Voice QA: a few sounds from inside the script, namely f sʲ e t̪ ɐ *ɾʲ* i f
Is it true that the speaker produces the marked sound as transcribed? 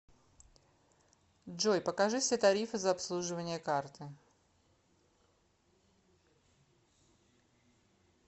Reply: yes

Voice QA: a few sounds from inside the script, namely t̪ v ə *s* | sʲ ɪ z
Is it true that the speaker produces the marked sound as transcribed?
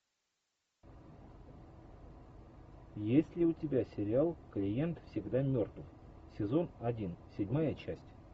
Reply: no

